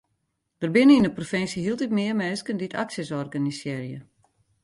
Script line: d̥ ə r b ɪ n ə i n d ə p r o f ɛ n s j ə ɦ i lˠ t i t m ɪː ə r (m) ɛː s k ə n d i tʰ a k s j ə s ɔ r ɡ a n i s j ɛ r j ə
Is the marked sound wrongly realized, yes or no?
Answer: no